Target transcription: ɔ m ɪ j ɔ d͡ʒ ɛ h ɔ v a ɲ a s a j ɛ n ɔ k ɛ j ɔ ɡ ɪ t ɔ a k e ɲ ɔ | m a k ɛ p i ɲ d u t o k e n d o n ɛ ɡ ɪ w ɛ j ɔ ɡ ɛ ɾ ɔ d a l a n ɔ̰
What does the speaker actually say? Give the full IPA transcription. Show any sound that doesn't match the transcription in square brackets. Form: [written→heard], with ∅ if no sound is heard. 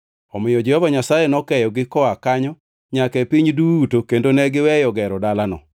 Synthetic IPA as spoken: ɔ m ɪ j ɔ d͡ʒ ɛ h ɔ v a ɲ a s a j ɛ n ɔ k ɛ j ɔ ɡ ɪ [t→k] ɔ a k [e→a] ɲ ɔ | [m→ɲ] a k ɛ p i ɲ d u t o k e n d o n ɛ ɡ ɪ w ɛ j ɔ ɡ ɛ ɾ ɔ d a l a n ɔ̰